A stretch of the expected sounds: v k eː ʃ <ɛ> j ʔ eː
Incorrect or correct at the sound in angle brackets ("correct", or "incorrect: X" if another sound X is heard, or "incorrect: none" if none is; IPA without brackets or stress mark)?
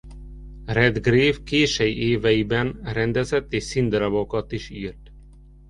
correct